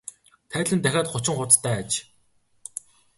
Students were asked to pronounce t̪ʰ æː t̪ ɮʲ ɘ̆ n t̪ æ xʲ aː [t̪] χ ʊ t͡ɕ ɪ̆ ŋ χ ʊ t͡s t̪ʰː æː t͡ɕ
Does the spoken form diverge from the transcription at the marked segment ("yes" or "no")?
no